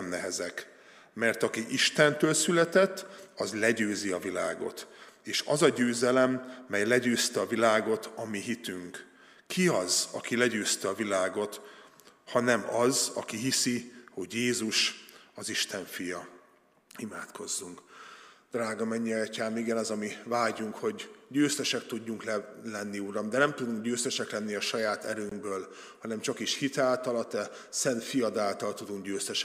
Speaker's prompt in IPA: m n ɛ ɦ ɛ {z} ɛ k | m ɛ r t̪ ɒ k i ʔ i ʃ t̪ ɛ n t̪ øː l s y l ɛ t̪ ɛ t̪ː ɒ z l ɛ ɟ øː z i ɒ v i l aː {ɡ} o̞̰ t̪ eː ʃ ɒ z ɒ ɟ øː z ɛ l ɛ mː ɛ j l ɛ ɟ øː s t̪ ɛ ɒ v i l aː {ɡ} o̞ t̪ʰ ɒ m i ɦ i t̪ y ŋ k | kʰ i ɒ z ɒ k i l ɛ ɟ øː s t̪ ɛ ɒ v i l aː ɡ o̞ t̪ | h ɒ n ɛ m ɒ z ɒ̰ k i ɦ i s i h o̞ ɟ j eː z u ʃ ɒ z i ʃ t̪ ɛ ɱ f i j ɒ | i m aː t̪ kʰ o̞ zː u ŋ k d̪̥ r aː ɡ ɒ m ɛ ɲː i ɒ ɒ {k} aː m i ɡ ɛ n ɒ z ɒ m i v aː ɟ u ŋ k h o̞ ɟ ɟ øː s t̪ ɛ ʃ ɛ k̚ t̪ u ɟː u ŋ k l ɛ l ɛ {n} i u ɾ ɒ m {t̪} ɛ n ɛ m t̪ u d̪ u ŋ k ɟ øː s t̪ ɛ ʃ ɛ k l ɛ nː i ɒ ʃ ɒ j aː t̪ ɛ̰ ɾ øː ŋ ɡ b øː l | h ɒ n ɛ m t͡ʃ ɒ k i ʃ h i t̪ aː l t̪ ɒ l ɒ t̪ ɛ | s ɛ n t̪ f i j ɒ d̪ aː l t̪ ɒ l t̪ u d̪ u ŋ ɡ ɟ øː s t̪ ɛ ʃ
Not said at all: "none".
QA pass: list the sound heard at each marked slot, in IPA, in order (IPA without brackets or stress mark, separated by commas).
z, ɡ, ɡ, c, nː, d̪